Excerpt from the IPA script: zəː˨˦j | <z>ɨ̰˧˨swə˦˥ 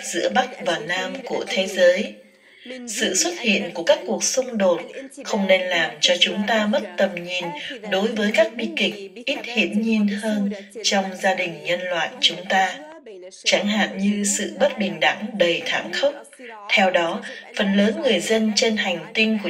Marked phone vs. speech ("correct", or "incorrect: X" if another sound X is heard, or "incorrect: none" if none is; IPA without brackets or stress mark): incorrect: s